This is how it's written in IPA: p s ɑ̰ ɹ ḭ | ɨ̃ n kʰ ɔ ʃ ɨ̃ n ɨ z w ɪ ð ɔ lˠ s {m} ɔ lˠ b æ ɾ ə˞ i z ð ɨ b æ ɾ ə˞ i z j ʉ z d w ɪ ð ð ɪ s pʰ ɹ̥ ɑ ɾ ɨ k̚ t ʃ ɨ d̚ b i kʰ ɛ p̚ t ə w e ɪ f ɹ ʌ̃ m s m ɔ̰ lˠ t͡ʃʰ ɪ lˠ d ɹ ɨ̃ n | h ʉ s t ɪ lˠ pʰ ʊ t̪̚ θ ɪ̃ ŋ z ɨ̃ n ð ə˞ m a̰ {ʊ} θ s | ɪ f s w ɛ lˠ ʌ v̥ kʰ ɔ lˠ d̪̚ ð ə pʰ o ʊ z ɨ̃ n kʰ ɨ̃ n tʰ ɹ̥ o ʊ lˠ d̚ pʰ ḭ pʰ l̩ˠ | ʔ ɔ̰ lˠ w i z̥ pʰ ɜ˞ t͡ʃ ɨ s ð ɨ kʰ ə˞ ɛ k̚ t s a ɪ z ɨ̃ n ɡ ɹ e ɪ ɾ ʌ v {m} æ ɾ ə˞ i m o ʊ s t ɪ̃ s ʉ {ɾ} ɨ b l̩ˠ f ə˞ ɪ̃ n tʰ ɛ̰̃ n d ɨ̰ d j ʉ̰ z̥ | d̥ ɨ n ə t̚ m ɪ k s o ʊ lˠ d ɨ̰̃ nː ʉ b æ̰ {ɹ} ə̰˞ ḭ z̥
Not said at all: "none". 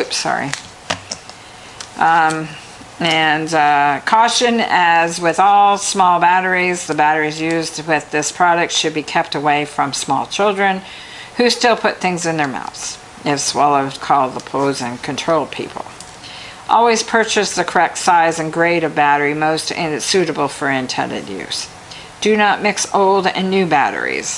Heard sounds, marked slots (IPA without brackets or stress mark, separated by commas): m, ʊ, b, ɾ, ɾ